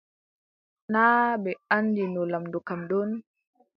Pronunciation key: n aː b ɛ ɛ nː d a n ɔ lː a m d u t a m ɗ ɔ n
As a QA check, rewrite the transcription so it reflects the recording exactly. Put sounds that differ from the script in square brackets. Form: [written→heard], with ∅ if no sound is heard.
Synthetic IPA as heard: n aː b ɛ [ɛ→a] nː d [a→i] n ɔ [lː→l] a m d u [t→k] a m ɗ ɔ n

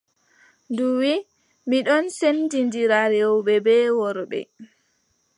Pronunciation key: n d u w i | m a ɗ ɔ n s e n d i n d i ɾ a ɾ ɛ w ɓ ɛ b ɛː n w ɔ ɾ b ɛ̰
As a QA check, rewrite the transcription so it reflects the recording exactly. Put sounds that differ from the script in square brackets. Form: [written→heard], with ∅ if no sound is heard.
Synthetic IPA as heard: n d u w i | m [a→i] ɗ ɔ n s e n d i n d i ɾ a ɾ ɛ w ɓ ɛ b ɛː [n→∅] w ɔ ɾ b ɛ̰

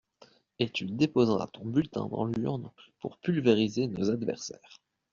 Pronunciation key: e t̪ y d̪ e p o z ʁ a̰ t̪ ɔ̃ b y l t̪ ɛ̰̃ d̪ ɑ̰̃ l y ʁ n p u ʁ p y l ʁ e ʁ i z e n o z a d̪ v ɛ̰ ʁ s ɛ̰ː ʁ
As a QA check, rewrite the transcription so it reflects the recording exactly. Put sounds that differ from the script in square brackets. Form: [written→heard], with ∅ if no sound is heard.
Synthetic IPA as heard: e t̪ y d̪ e p o z ʁ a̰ t̪ ɔ̃ b y l t̪ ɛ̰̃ d̪ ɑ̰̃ l y ʁ n p u ʁ p y l [ʁ→v] e ʁ i z e n o z a d̪ v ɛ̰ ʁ s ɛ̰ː ʁ

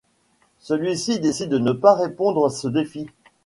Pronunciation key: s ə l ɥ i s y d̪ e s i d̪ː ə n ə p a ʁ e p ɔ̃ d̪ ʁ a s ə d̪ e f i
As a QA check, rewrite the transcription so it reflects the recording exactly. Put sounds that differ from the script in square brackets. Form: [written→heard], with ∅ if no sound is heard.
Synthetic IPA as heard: s ə l ɥ i s [y→i] d̪ e s i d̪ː ə n ə p a ʁ e p ɔ̃ d̪ ʁ a s ə d̪ e f i

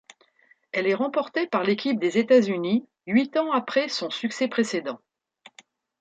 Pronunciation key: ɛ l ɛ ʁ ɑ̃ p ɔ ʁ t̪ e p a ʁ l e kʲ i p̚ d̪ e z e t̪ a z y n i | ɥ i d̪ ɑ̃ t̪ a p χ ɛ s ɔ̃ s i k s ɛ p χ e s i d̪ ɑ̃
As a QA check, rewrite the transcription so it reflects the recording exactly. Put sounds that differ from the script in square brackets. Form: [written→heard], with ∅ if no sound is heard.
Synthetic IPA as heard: ɛ l ɛ ʁ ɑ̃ p ɔ ʁ t̪ e p a ʁ l e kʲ i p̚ d̪ e z e t̪ a z y n i | ɥ i [d̪→t̪] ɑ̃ [t̪→∅] a p χ ɛ s ɔ̃ s [i→y] k s ɛ p χ e s [i→e] d̪ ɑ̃

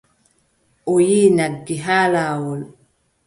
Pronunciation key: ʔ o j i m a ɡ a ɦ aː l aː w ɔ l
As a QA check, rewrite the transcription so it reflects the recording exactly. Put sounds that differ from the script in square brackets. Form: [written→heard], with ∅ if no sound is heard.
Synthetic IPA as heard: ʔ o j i [m→n] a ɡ [a→i] ɦ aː l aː w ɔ l

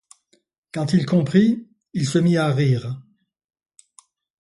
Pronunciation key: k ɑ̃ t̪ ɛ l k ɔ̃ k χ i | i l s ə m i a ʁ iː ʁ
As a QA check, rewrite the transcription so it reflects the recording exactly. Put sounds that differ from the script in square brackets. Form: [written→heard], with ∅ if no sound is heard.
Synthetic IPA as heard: k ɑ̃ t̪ [ɛ→i] l k ɔ̃ [k→p] χ i | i l s ə m i a ʁ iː ʁ

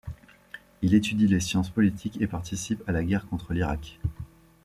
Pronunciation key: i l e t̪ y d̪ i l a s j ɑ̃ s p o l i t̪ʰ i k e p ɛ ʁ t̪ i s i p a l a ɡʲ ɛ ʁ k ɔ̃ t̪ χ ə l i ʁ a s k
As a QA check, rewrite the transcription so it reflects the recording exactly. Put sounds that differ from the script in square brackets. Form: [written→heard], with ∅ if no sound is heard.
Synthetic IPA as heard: i l e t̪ y d̪ i l [a→e] s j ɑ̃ s p [o→ɔ] l i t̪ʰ i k e p [ɛ→a] ʁ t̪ i s i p a l a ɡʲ ɛ ʁ k ɔ̃ t̪ χ ə l i ʁ a [s→∅] k

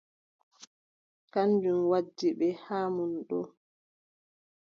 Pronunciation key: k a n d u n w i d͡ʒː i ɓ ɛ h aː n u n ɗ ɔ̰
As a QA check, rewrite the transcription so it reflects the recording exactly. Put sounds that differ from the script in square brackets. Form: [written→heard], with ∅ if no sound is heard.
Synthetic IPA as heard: k a n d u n w [i→a] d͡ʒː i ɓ ɛ h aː [n→m] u n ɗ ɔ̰

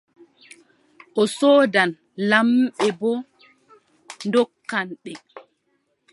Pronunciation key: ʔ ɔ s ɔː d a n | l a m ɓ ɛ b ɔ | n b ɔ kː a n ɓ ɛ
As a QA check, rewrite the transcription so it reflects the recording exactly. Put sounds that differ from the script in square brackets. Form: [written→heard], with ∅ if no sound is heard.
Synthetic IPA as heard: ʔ ɔ s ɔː d a n | l a m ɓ ɛ b ɔ | n [b→d] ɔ kː a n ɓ ɛ

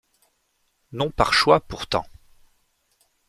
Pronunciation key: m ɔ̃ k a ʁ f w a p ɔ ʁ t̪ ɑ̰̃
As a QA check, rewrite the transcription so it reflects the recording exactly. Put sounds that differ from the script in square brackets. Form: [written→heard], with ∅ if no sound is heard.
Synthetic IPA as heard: [m→n] ɔ̃ [k→p] a ʁ [f→ʃ] w a p [ɔ→u] ʁ t̪ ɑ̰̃

